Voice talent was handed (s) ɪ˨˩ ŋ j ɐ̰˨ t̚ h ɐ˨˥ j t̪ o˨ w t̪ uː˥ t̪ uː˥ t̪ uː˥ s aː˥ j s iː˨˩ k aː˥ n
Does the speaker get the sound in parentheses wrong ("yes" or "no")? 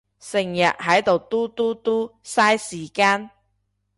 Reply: no